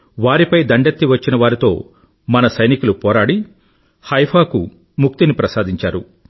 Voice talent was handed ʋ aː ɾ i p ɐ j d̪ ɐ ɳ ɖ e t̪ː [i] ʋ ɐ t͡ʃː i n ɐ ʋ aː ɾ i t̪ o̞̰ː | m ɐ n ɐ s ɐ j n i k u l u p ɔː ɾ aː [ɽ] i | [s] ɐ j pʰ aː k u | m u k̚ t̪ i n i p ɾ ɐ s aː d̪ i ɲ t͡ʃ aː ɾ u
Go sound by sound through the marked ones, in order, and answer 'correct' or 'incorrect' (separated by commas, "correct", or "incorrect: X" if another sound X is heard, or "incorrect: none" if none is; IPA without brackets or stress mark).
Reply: correct, correct, incorrect: h